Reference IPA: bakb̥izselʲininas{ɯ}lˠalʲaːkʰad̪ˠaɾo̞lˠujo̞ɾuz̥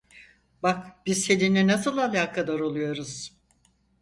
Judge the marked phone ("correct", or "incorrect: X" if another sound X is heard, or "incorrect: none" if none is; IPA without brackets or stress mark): correct